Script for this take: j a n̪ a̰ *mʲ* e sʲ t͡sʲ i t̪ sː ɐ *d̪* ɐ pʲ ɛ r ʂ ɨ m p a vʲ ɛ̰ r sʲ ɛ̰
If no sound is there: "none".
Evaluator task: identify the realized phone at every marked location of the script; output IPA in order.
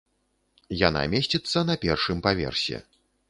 mʲ, n̪

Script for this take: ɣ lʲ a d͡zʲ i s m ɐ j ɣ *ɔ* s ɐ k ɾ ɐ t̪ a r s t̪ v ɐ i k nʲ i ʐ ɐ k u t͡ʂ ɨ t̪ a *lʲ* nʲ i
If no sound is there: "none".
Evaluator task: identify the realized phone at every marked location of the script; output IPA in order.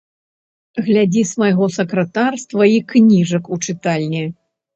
ɔ, lʲ

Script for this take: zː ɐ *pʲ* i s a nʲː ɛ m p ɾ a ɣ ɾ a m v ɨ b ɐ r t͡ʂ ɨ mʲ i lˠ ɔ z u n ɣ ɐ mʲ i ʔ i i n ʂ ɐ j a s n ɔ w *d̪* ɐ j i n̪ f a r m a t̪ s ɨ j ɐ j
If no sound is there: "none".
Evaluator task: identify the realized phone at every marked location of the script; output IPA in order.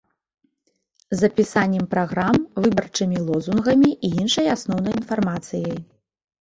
pʲ, n̪

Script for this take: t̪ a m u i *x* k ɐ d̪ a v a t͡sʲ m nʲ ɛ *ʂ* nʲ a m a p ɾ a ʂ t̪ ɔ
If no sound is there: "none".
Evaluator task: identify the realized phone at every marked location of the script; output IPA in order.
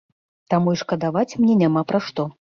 ʂ, none

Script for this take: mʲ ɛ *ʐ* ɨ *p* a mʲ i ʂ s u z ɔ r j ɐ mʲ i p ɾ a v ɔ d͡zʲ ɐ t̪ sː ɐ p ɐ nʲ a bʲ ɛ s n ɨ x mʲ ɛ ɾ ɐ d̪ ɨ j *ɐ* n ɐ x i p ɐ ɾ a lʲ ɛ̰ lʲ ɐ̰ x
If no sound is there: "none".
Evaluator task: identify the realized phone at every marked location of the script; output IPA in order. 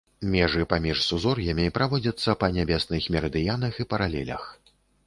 ʐ, p, a

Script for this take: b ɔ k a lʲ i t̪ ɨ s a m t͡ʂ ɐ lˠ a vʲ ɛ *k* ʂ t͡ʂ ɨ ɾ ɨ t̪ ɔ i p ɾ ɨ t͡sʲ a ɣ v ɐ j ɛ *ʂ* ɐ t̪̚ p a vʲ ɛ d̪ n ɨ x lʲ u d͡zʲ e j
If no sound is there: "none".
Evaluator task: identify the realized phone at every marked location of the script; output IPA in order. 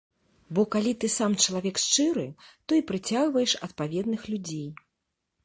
k, ʂ

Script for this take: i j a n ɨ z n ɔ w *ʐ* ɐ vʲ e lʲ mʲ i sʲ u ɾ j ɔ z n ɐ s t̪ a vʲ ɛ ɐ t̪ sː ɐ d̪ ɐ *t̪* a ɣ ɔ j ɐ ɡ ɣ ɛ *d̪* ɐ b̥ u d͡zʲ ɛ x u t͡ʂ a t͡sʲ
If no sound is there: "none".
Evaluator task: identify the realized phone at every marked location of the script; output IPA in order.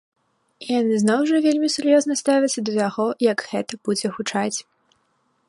ʐ, t̪, t̪

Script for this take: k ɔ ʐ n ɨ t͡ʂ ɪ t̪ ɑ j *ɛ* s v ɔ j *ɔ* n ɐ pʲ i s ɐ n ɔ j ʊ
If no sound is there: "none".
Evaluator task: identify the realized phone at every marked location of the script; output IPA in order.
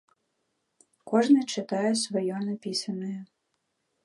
ɛ, ɔ

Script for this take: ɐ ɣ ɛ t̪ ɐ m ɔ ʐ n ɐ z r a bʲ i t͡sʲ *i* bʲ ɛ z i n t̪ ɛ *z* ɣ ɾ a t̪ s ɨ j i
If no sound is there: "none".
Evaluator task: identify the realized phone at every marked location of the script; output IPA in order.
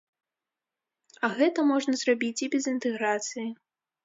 i, none

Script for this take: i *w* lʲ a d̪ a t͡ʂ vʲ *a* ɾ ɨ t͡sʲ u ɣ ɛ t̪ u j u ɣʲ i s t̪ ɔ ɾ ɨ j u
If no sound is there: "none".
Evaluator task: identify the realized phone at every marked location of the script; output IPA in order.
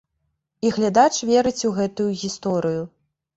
ɣ, ɛ

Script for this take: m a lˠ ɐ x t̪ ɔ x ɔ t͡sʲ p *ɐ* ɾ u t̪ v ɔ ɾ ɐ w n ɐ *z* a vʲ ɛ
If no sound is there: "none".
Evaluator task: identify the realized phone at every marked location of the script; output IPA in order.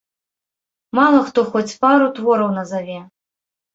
a, z

